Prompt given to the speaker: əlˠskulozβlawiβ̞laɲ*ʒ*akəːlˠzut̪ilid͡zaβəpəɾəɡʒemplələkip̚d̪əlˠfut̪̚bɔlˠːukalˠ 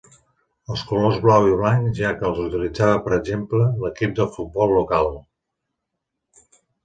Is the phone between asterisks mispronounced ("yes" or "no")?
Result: no